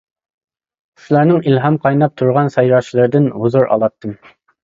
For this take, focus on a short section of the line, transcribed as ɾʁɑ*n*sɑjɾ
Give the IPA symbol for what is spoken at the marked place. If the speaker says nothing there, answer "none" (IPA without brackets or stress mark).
n